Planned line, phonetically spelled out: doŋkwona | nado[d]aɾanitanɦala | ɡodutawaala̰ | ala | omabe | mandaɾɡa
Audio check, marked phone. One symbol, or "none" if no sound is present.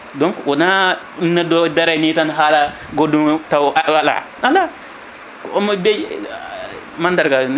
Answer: d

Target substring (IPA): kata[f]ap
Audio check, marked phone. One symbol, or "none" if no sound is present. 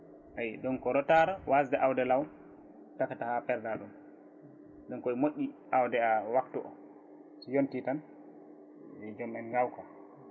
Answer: h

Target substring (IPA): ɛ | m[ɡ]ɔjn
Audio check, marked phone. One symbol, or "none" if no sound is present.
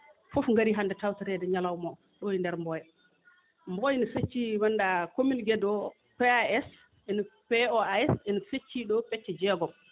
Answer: b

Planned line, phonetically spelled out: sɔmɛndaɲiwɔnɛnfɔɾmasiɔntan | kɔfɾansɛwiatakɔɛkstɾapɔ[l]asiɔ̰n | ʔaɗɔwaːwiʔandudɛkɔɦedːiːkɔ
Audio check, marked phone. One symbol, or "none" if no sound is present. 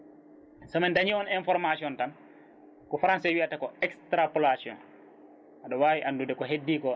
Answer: l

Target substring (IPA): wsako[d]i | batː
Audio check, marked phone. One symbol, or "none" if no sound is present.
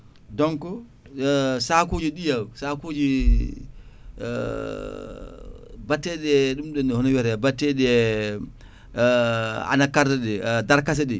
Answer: d͡ʒ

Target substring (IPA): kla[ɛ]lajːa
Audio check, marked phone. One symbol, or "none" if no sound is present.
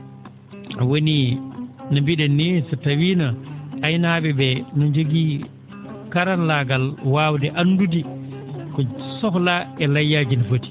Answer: ɛ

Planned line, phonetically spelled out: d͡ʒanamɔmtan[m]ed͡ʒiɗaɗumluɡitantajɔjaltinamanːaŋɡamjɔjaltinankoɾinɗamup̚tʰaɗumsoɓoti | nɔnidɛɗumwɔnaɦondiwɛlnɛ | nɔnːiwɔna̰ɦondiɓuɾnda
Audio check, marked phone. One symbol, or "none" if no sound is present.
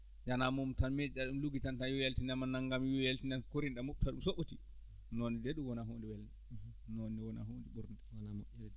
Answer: m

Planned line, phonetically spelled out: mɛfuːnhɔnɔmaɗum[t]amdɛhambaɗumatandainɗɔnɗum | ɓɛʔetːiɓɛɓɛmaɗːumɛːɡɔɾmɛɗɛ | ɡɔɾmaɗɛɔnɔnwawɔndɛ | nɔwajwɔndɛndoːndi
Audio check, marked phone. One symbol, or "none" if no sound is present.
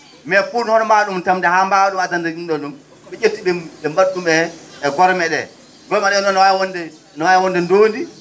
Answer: t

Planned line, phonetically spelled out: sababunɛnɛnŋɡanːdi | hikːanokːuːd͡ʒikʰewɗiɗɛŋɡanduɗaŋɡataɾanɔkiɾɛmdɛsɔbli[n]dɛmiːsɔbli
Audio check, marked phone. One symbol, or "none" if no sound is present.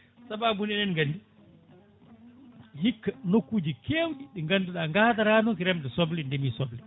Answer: n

